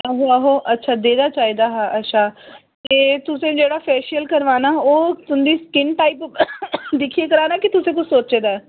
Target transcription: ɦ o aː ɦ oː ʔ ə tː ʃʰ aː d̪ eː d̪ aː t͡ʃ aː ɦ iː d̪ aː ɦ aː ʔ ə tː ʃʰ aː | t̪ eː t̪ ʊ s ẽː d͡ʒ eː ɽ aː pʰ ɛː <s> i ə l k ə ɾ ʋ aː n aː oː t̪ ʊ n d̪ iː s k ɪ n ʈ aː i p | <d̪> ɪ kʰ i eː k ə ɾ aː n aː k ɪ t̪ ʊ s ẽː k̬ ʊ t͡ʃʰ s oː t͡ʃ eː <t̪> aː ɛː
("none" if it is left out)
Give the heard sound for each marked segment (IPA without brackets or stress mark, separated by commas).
ʃ, d̪, d̪